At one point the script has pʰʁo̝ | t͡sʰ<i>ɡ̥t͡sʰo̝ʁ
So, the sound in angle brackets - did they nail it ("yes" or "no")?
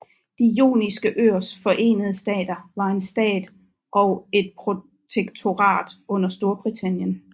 no